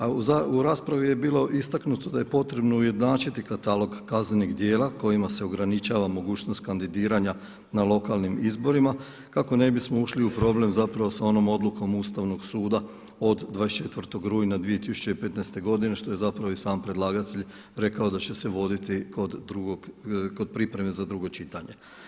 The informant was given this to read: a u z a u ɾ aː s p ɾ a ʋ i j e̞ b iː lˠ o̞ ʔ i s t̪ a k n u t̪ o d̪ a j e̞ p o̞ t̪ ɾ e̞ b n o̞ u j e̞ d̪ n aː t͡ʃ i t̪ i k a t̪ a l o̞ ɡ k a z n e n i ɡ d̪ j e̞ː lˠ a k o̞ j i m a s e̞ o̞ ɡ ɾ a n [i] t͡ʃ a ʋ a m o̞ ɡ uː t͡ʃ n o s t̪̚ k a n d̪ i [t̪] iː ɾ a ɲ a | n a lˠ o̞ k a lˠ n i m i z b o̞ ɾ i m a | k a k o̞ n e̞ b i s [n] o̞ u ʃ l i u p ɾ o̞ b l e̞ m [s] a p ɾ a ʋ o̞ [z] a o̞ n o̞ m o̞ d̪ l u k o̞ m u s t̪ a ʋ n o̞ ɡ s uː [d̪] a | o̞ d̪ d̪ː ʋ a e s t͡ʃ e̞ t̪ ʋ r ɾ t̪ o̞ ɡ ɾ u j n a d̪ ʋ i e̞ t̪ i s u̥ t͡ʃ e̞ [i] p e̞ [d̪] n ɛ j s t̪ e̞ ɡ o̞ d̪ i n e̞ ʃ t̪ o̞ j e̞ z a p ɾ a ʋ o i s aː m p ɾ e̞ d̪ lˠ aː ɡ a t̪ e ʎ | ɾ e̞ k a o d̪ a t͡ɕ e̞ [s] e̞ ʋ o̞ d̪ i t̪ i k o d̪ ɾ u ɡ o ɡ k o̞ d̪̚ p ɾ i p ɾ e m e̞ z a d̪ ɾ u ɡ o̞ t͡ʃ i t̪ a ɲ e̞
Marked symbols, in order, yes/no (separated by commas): yes, no, no, no, no, yes, yes, no, yes